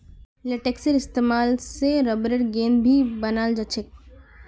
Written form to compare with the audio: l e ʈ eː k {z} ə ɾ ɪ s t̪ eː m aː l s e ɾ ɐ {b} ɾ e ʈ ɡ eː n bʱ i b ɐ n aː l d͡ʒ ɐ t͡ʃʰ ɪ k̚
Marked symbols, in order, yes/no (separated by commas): no, yes